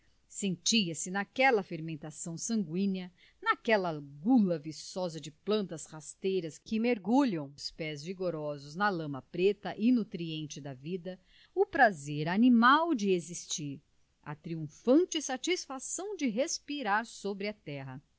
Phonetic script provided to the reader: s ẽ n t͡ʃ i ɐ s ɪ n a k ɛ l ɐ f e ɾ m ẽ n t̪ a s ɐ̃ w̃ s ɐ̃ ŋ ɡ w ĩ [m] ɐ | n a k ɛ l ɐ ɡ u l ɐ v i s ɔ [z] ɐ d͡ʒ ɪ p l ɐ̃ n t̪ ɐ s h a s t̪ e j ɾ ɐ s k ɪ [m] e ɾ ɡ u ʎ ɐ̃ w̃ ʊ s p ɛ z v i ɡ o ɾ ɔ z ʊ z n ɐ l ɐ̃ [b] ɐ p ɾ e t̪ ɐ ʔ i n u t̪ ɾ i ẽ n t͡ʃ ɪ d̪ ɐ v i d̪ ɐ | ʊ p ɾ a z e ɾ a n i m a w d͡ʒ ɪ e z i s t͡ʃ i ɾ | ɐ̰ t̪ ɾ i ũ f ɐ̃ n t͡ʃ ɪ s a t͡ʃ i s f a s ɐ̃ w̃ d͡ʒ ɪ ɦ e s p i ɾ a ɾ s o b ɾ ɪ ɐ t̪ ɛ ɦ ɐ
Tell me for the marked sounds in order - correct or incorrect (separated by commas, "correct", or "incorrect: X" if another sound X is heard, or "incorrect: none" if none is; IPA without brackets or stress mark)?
incorrect: n, correct, correct, incorrect: m